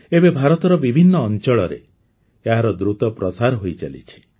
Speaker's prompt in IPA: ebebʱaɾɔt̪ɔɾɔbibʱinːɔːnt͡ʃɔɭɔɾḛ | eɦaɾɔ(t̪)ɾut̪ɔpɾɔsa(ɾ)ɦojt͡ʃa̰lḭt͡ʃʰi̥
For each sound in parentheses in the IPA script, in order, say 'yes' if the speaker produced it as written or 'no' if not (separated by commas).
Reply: no, yes